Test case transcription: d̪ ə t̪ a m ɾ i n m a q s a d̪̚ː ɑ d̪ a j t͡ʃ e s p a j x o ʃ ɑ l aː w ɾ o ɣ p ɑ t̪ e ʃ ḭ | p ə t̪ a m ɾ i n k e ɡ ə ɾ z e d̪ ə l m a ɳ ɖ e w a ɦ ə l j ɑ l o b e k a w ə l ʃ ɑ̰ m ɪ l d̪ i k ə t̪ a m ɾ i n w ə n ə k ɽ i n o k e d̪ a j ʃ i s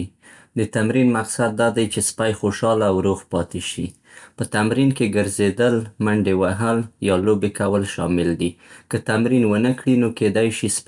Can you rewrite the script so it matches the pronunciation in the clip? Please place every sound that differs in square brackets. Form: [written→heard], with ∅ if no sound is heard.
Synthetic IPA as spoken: d̪ ə t̪ a m ɾ i n m a q s a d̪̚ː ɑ d̪ a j t͡ʃ e s p a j x o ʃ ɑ l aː w ɾ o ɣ p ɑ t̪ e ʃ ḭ | p ə t̪ a m ɾ i n k e ɡ ə ɾ z e d̪ ə l m a ɳ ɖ e w a ɦ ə l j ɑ l o b e k a w ə l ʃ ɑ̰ m ɪ l d̪ i k ə t̪ a m ɾ i n w ə n ə k ɽ i n o k e d̪ a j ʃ i s